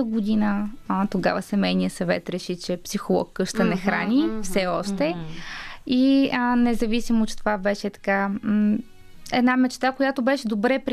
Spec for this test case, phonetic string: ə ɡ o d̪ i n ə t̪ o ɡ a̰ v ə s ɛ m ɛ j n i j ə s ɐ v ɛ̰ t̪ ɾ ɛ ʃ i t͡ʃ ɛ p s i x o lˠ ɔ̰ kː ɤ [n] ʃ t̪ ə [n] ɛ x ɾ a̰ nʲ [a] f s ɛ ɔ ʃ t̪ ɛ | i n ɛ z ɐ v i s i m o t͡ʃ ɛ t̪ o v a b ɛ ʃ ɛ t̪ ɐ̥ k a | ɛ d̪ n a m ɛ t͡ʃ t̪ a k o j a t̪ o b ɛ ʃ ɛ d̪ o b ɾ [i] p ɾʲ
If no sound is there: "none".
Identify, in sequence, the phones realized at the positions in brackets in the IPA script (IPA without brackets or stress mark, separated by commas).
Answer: none, n, i, ɛ